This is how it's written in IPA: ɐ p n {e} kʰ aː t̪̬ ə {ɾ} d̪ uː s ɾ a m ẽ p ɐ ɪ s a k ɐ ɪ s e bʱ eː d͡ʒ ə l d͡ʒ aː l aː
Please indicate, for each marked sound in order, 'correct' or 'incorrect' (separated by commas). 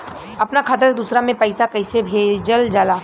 incorrect, correct